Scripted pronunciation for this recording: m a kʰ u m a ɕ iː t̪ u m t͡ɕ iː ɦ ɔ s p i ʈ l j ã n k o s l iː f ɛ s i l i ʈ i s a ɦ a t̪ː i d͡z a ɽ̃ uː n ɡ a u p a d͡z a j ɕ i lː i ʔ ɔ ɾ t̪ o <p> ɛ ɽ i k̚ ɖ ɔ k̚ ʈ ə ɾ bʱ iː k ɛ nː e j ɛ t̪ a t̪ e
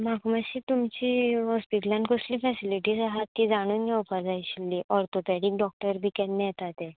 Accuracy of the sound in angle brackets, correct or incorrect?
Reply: correct